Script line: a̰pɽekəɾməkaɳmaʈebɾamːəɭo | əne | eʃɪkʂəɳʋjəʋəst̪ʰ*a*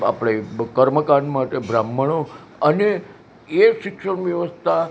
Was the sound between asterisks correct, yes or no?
yes